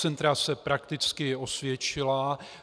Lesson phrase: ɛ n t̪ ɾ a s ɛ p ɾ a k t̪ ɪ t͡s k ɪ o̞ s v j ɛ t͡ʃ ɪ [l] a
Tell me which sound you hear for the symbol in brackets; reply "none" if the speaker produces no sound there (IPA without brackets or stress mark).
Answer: l